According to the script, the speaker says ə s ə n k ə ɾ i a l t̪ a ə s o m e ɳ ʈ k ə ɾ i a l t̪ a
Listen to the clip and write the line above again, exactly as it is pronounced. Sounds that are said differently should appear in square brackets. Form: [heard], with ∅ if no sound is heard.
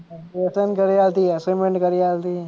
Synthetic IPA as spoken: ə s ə n k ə ɾ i a l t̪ [i] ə s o m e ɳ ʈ k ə ɾ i a l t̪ [i]

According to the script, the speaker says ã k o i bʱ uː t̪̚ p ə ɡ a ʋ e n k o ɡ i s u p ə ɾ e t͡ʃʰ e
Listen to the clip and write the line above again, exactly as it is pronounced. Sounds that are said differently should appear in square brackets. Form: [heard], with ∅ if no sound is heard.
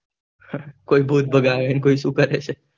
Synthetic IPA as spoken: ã k o i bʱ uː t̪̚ [b] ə ɡ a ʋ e n k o [∅] i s u [k] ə ɾ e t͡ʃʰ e

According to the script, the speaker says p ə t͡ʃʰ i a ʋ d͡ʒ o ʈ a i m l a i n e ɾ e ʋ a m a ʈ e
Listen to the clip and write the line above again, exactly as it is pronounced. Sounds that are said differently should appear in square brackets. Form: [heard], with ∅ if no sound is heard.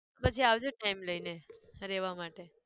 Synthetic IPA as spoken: p ə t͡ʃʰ i a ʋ d͡ʒ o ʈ a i m l [ə] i n e ɾ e ʋ a m a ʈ e

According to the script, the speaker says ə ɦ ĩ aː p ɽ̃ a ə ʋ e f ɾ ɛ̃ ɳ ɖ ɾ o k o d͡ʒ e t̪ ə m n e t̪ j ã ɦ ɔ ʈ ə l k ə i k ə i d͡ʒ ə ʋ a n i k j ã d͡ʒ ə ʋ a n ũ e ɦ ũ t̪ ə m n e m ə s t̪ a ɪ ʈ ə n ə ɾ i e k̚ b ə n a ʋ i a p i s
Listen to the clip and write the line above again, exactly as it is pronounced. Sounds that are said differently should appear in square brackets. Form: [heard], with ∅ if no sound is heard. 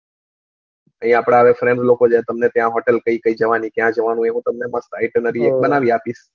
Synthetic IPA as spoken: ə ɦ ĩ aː p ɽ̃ a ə ʋ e f ɾ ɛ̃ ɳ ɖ [l] o k o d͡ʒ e t̪ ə m n e t̪ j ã ɦ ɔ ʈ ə l k ə i k ə i d͡ʒ ə ʋ a n i k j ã d͡ʒ ə ʋ a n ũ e ɦ ũ t̪ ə m n e m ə s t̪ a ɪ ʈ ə n ə ɾ i e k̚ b ə n a ʋ i a p i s

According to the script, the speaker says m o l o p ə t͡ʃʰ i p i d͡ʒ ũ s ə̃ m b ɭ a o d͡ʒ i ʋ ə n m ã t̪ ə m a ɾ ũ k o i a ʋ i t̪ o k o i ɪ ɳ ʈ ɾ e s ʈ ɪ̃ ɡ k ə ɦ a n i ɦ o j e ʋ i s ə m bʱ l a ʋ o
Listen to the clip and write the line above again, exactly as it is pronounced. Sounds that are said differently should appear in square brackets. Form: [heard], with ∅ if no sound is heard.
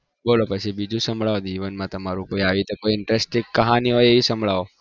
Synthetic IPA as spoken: [b] o l o p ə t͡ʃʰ i [b] i d͡ʒ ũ s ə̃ m b ɭ a o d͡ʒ i ʋ ə n m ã t̪ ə m a ɾ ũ k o i a ʋ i t̪ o k o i ɪ ɳ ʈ ɾ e s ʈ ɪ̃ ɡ k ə ɦ a n i ɦ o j e ʋ i s ə m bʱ [ɭ] a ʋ o

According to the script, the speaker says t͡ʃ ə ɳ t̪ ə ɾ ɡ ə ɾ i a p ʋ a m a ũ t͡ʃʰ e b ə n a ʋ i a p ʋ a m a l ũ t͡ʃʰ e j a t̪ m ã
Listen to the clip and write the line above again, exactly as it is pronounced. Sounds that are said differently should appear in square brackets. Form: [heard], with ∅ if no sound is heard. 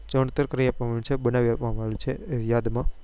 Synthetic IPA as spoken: t͡ʃ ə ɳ t̪ ə ɾ [k] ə ɾ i a p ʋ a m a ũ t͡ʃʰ e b ə n a ʋ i a p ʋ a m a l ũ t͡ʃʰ e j a [d̪] m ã

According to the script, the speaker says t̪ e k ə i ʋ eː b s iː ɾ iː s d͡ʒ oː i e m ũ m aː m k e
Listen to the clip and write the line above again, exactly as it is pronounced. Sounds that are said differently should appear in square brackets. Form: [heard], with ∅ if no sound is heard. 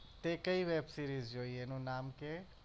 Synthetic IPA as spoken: t̪ e k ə i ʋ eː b s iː ɾ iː [z] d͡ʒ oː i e [n] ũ [n] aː m k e

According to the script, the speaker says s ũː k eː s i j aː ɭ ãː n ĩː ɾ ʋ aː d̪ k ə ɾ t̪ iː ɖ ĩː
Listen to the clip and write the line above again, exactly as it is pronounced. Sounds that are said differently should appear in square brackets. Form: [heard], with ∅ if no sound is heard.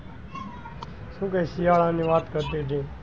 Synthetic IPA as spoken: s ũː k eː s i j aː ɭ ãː n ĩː [∅] ʋ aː [t̪] k ə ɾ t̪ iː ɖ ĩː

